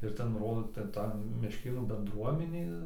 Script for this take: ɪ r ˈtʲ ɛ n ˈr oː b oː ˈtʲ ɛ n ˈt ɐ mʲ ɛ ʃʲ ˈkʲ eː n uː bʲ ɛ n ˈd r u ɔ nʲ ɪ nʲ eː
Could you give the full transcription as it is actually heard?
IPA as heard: ɪ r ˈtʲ ɛ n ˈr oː d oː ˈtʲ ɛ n ˈt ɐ mʲ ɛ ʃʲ ˈkʲ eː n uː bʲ ɛ n ˈd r u ɔ mʲ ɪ nʲ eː